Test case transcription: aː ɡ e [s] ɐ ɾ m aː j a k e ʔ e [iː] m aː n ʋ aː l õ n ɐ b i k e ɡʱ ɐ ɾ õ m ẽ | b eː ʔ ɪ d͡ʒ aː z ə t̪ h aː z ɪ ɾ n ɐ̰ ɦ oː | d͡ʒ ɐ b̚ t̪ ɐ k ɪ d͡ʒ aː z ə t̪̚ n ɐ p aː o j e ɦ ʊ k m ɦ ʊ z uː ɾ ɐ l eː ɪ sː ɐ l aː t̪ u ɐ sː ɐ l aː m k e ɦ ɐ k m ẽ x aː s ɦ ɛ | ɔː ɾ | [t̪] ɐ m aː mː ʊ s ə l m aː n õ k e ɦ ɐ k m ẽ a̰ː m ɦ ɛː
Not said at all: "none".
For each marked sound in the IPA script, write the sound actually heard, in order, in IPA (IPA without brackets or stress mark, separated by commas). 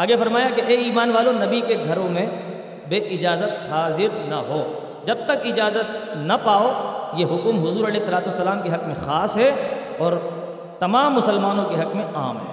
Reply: f, iː, t̪